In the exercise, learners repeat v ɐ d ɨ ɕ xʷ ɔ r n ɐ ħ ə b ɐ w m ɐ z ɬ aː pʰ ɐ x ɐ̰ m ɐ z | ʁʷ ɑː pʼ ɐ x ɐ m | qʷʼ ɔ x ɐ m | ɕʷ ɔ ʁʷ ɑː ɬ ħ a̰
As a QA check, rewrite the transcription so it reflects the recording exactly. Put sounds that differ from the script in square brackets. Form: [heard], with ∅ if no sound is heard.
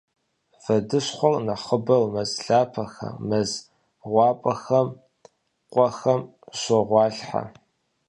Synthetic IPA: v ɐ d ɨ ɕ [χʷ] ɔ r n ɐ [χ] ə b ɐ w m ɐ z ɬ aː pʰ ɐ x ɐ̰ m ɐ z | ʁʷ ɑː pʼ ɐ x ɐ m | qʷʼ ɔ x ɐ m | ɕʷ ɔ ʁʷ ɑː ɬ ħ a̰

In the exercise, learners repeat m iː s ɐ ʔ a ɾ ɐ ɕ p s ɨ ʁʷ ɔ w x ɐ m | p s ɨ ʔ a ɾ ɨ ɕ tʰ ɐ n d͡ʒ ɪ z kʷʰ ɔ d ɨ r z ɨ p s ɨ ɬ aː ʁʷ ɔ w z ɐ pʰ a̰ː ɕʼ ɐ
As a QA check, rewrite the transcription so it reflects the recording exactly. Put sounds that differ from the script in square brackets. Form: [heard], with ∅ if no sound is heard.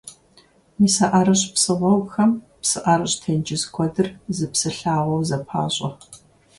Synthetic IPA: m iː s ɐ ʔ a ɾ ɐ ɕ p s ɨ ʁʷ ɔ w x ɐ m | p s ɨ ʔ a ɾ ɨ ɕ tʰ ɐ n d͡ʒ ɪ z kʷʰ ɔ d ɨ r z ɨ p s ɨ ɬ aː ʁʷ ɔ w z ɐ pʰ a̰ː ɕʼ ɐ

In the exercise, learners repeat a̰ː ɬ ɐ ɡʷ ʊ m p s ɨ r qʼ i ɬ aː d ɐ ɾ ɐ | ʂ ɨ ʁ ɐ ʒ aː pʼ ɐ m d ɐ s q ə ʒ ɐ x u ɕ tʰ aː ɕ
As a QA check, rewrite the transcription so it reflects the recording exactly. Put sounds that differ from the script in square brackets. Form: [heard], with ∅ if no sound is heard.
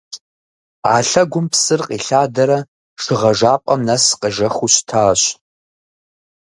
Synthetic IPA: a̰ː ɬ ɐ ɡʷ ʊ m p s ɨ r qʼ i ɬ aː d ɐ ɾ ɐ | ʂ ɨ ʁ ɐ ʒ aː pʼ ɐ m [n] ɐ s q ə ʒ ɐ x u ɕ tʰ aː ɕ

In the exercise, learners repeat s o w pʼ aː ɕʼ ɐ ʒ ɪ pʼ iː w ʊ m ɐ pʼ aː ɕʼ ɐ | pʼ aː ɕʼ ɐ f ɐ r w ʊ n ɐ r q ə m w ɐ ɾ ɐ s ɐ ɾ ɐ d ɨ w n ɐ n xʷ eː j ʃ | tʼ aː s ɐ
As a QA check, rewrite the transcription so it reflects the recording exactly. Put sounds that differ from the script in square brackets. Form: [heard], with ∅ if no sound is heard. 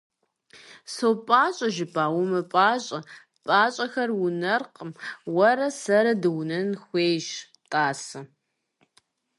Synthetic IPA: s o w pʼ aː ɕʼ ɐ ʒ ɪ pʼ [aː] w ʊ m ɐ pʼ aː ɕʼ ɐ | pʼ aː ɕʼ ɐ [x] ɐ r w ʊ n ɐ r q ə m w ɐ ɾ ɐ s ɐ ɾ ɐ d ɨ w n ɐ n xʷ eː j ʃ | tʼ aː s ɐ

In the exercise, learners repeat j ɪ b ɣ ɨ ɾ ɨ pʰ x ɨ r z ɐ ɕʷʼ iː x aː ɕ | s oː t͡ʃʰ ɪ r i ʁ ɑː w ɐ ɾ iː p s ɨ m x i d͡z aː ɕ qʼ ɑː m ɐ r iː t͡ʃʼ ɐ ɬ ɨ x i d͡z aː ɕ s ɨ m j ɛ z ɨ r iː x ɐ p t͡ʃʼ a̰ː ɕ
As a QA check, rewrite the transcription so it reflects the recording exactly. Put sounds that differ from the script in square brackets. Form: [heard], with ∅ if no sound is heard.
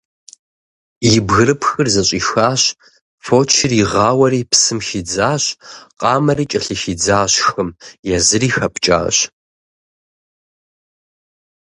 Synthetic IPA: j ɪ b ɣ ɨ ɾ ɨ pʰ x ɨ r z ɐ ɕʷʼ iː x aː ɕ | [f] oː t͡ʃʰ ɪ r i ʁ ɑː w ɐ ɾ iː p s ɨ m x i d͡z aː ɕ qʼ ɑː m ɐ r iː t͡ʃʼ ɐ ɬ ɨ x i d͡z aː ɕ [x] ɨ m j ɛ z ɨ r iː x ɐ p t͡ʃʼ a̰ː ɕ

